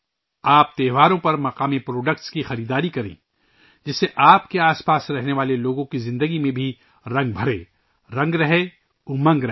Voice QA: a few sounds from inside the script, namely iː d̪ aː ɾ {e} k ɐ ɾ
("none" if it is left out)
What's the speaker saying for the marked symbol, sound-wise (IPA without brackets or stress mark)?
i